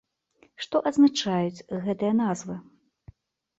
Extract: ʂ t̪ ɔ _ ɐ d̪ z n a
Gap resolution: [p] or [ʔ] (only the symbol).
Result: ʔ